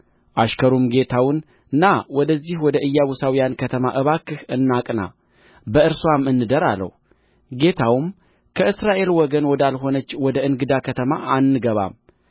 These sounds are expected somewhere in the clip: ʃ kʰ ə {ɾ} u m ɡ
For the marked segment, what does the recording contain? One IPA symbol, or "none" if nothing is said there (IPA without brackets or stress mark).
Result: ɾ